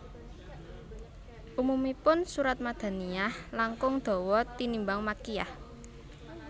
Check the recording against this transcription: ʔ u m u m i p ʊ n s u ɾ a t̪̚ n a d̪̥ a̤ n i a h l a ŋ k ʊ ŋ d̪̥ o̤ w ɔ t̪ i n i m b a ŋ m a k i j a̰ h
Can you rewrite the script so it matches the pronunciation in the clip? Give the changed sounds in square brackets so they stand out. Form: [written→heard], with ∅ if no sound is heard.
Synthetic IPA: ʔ u m u m i p ʊ n s u ɾ a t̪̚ [n→m] a d̪̥ a̤ n i a h l a ŋ k ʊ ŋ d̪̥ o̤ w ɔ t̪ i n i m b a ŋ m a k i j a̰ h